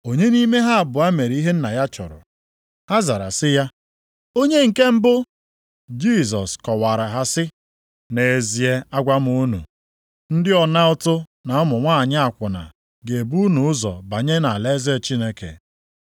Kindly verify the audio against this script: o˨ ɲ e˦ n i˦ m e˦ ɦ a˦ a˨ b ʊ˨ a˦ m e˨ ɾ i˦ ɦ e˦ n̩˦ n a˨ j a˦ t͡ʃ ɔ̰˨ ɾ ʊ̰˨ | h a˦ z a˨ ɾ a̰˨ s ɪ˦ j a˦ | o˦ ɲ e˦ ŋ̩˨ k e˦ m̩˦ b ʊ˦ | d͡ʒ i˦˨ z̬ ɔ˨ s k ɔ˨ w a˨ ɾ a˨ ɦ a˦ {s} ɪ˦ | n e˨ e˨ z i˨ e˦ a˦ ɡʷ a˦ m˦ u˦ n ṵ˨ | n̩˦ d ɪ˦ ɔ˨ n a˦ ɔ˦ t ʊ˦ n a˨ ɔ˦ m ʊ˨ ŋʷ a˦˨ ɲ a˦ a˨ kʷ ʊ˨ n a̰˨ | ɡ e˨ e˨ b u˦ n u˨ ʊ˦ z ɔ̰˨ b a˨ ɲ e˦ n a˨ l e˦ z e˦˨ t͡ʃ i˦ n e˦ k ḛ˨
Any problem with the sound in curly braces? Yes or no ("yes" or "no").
no